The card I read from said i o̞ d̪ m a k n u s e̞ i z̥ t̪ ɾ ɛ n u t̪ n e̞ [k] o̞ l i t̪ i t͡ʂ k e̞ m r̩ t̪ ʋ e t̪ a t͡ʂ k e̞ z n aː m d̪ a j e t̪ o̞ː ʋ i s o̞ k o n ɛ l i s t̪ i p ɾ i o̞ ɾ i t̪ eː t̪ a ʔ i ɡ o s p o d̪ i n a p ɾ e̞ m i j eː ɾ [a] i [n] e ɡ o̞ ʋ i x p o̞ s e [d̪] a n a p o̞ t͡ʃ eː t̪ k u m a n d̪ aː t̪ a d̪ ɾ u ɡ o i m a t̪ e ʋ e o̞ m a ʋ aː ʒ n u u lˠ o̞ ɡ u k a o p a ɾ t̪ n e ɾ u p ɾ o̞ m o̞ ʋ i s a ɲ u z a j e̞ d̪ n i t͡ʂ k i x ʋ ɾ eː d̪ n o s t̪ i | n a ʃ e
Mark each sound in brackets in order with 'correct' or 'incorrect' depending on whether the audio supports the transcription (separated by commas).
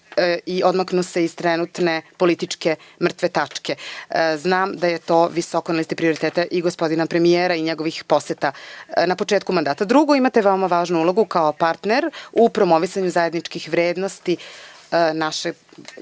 incorrect, correct, incorrect, incorrect